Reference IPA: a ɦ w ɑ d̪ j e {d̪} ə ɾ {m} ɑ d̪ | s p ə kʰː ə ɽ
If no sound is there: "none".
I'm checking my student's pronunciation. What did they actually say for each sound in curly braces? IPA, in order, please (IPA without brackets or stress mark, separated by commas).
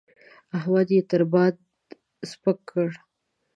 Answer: t̪, b